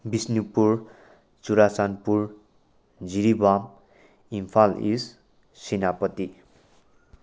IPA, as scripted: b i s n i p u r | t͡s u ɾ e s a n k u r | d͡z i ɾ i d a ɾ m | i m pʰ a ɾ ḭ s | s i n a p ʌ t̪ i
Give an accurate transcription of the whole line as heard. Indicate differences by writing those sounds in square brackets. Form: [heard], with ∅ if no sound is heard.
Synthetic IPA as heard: b i s n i p u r | t͡s u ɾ [a] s a n [p] u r | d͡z i ɾ i [b] a [∅] m | i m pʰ a [l] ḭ s | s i n a p ʌ t̪ i